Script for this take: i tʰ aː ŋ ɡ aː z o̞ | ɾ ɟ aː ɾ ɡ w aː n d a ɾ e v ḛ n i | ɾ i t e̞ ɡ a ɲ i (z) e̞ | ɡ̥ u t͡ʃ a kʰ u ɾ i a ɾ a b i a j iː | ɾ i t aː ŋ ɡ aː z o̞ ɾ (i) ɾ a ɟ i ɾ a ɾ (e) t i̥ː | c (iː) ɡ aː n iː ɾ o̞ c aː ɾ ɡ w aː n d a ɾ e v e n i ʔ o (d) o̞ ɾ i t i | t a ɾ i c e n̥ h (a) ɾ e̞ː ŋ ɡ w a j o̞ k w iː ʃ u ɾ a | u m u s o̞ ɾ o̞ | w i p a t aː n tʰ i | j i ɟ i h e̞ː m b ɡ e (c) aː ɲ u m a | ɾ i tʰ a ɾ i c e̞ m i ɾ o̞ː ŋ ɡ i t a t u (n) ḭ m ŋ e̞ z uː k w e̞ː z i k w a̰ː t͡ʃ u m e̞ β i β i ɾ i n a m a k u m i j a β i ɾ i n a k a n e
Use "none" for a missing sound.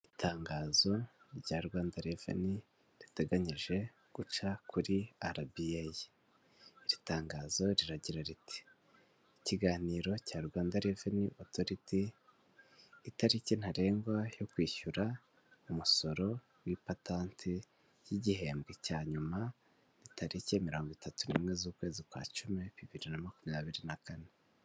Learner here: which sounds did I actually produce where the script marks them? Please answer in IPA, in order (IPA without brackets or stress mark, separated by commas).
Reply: ʒ, i, i, i, t, a, c, n